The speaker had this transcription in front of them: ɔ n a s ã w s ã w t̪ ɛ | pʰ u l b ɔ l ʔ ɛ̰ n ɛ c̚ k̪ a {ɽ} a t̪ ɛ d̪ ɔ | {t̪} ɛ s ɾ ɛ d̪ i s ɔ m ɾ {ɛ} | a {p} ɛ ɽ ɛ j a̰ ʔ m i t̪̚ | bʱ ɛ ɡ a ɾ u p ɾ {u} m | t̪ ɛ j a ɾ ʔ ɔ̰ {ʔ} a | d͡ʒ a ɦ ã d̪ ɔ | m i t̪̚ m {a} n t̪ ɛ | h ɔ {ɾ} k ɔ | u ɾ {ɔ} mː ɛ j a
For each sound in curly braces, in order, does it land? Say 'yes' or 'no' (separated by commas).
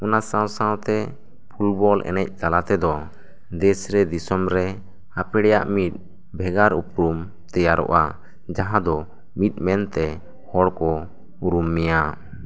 no, no, yes, yes, yes, yes, no, no, no